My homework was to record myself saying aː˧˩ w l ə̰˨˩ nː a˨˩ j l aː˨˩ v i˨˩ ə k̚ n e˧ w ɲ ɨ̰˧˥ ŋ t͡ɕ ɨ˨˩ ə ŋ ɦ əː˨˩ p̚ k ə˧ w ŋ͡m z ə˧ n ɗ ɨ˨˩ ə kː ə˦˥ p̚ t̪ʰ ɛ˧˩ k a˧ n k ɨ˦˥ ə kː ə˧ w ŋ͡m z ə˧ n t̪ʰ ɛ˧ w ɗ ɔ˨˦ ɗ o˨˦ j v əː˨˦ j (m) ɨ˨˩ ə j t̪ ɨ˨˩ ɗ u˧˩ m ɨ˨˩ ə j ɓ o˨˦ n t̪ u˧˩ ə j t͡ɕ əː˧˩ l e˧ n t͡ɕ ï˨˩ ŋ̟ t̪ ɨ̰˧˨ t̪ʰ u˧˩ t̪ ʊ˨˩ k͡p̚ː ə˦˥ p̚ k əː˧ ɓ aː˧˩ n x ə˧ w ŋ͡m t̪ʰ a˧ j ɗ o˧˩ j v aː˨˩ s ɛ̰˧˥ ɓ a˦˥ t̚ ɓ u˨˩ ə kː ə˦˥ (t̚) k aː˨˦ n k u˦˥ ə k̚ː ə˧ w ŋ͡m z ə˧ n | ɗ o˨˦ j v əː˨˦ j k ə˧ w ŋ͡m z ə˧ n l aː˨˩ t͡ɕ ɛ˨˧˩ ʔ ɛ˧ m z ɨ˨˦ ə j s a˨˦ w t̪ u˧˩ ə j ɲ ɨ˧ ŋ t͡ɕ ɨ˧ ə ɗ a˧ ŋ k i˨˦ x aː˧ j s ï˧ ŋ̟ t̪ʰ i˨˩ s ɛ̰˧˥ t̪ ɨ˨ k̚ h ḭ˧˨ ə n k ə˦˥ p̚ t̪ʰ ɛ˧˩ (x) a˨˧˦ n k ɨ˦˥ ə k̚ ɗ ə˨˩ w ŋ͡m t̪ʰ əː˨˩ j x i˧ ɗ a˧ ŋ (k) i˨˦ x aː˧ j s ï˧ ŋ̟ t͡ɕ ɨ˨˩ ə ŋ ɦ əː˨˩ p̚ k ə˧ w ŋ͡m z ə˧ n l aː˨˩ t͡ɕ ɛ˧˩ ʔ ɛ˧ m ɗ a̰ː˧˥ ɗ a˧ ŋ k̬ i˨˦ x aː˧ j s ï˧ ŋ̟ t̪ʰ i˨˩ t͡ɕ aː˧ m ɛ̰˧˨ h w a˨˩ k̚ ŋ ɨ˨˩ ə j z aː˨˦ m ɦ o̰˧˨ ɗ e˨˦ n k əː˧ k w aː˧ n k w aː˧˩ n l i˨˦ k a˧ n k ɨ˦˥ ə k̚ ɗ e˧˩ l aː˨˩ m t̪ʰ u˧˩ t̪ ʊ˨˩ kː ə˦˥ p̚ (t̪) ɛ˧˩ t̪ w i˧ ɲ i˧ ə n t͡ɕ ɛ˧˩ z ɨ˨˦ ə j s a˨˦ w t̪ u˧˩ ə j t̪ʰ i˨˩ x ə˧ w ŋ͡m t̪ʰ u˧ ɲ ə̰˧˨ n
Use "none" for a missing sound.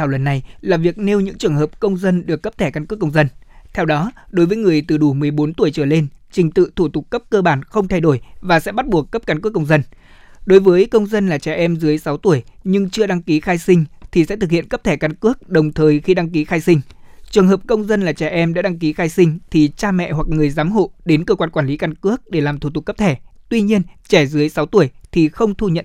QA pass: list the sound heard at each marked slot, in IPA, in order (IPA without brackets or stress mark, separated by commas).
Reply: ŋ, p̚, k, k, t̪ʰ